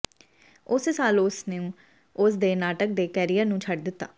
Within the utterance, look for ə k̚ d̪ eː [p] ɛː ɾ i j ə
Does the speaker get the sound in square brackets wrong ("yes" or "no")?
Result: yes